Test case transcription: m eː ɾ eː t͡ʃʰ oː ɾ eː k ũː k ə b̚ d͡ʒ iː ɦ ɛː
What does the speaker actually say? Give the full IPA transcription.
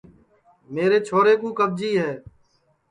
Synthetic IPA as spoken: m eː ɾ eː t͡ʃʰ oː ɾ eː k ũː k ə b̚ d͡ʒ iː ɦ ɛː